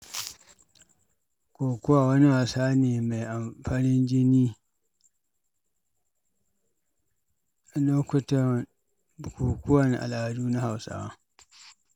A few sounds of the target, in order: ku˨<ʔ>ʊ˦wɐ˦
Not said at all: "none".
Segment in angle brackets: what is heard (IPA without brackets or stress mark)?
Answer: k